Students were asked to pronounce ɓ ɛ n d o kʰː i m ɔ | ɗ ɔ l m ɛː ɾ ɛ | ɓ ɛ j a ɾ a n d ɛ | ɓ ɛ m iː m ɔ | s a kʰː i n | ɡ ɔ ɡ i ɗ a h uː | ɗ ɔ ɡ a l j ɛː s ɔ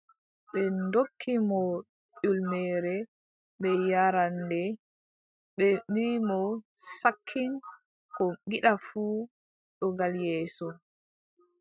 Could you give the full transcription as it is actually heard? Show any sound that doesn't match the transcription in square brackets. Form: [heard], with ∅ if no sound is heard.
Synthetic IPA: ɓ ɛ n d o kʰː i m ɔ | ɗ [u] l m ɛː ɾ ɛ | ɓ ɛ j a ɾ a n d ɛ | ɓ ɛ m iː m ɔ | s a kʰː i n | [k] ɔ ɡ i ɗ a [f] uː | ɗ ɔ ɡ a l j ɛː s ɔ

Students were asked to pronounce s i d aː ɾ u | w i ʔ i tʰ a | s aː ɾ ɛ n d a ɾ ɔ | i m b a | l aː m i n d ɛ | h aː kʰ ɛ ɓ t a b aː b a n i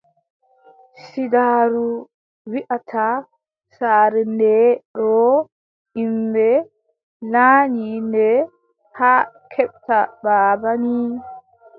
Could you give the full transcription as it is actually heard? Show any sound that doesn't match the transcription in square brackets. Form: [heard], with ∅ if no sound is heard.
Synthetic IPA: s i d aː ɾ u | w i ʔ [a] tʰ a | s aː ɾ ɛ n d [ɛ] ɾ ɔ | i m b [ɛ] | l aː [ɲ] i n d ɛ | h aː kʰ ɛ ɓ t a b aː b a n i

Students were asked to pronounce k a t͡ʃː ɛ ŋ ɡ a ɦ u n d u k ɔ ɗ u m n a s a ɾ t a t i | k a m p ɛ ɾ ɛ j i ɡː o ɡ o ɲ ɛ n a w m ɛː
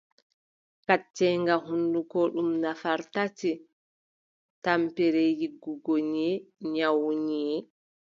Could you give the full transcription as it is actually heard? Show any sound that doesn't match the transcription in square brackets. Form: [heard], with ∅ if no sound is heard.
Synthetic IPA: k a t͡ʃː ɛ ŋ ɡ a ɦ u n d u k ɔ ɗ u m n a [f] a ɾ t a t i | [t] a m p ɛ ɾ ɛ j i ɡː [u] ɡ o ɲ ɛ [ɲ] a w [ɲ] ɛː

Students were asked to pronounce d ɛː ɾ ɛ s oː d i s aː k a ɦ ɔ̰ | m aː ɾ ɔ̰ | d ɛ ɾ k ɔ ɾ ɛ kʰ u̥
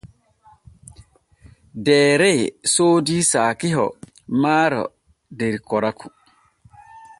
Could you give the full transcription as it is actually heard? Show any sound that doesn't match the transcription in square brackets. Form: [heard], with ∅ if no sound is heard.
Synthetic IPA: d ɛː ɾ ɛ s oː d i s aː k [i] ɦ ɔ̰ | m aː ɾ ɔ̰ | d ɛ ɾ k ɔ ɾ [a] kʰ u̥

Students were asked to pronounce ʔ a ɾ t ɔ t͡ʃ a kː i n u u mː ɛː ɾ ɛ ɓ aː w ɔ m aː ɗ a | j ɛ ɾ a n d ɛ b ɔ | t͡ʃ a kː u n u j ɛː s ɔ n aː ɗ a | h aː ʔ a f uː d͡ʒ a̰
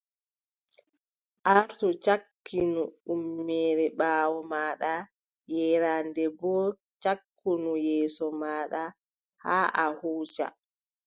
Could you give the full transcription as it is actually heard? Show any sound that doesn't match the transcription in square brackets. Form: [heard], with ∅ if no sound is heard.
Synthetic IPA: ʔ a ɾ t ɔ t͡ʃ a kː i n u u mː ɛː ɾ ɛ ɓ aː w ɔ m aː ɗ a | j ɛ ɾ a n d ɛ b ɔ | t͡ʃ a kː u n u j ɛː s ɔ [m] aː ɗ a | h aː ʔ a [h] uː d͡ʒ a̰

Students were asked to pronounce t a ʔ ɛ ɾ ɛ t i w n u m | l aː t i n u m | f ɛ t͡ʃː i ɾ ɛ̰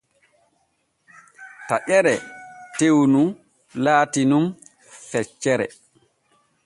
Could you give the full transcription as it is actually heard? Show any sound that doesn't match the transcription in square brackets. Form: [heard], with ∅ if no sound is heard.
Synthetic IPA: t a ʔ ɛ ɾ ɛ t [e] w n u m | l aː t i n u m | f ɛ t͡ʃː [ɛ] ɾ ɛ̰

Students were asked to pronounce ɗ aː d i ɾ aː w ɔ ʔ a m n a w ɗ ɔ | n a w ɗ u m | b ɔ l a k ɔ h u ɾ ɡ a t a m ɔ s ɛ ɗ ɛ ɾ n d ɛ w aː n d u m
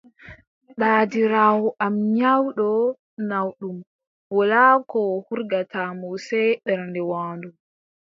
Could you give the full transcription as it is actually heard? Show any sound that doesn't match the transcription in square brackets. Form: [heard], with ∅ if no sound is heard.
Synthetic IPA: ɗ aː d i ɾ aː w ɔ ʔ a m [ɲ] a w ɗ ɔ | n a w ɗ u m | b ɔ l a k ɔ h u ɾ ɡ a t a m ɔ s ɛ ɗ ɛ ɾ n d ɛ w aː n d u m

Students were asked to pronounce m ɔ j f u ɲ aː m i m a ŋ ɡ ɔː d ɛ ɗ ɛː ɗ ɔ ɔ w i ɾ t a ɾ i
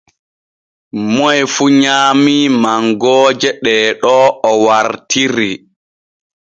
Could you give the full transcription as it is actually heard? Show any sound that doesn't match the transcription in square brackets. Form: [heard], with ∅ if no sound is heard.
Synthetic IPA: m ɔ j f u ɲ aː m i m a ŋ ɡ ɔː [d͡ʒ] ɛ ɗ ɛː ɗ ɔ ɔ w [a] ɾ t [i] ɾ i

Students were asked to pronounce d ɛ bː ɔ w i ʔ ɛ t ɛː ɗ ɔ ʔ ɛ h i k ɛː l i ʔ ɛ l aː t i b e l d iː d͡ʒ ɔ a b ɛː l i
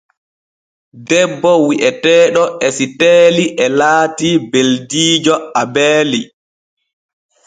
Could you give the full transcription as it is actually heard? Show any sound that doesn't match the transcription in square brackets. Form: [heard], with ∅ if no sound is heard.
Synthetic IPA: d ɛ bː ɔ w i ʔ ɛ t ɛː ɗ ɔ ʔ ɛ [s] i [t] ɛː l i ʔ ɛ l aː t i b e l d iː d͡ʒ ɔ a b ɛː l i

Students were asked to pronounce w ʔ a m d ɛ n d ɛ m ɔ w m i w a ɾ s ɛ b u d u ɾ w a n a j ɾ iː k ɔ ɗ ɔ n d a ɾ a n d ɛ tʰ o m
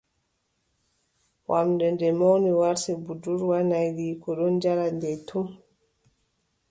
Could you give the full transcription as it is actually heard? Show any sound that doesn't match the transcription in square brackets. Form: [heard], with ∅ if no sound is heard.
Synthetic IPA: w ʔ a m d ɛ n d ɛ m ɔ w [n] i w a ɾ s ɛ b u d u ɾ w a n a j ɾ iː k ɔ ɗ ɔ n [d͡ʒ] a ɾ a n d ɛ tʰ [u] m

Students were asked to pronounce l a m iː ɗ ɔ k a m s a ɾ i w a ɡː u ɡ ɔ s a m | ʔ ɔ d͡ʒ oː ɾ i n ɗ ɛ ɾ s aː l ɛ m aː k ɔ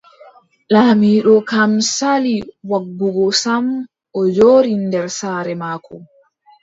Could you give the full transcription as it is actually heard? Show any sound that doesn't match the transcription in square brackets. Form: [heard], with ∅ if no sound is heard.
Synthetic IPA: l a m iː ɗ ɔ k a m s a [l] i w a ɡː u ɡ ɔ s a m | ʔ ɔ d͡ʒ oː ɾ i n [d] ɛ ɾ s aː [ɾ] ɛ m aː k ɔ

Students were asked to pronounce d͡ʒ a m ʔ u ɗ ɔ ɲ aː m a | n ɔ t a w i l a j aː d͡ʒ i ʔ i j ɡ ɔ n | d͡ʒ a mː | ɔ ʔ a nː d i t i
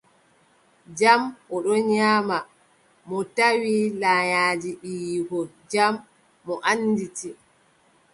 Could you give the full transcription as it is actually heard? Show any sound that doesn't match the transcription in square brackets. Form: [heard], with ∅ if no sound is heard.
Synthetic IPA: d͡ʒ a m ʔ [ɔ] ɗ ɔ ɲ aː m a | [m] ɔ t a w i l a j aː d͡ʒ i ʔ i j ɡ ɔ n | d͡ʒ a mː | ɔ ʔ a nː d i t i

